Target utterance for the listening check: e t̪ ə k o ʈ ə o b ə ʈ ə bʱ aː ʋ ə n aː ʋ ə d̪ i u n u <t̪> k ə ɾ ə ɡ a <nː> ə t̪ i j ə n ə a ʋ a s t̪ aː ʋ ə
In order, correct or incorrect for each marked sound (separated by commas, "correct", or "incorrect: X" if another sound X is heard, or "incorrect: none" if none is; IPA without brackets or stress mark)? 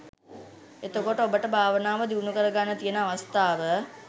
incorrect: none, correct